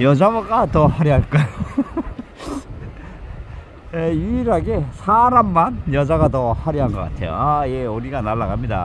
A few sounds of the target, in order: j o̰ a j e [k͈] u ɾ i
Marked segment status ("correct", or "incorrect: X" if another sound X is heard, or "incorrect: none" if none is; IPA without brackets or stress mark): incorrect: none